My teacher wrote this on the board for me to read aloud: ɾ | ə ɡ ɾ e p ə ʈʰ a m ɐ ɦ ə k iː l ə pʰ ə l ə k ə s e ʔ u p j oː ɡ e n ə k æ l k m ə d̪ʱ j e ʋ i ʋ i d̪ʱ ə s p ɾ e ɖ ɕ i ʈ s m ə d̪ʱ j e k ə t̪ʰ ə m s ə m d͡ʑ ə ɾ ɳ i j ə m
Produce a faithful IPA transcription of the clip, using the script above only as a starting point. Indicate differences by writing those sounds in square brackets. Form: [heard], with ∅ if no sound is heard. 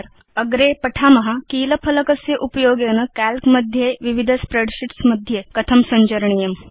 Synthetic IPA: ɾ | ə ɡ ɾ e p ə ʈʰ a m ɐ ɦ [a] k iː l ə pʰ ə l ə k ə s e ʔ u p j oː ɡ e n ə k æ l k m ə d̪ʱ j e ʋ i ʋ i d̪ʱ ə s p ɾ e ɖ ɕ i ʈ s m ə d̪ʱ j e k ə t̪ʰ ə m s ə [ɲ] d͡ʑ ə ɾ ɳ i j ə m